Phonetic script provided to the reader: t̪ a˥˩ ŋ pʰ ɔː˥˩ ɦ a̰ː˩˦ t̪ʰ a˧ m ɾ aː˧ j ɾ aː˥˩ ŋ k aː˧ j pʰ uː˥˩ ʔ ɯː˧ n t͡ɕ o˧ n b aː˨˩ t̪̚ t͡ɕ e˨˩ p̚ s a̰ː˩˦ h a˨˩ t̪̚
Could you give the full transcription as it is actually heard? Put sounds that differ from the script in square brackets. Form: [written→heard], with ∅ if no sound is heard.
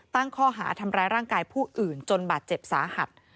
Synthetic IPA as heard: t̪ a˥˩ ŋ [pʰ→kʰ] ɔː˥˩ ɦ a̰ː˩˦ t̪ʰ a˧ m ɾ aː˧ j ɾ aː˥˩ ŋ k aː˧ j pʰ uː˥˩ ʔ [ɯː˧→ɯː˨˩] n t͡ɕ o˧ n b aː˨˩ t̪̚ t͡ɕ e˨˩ p̚ s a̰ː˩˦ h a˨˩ t̪̚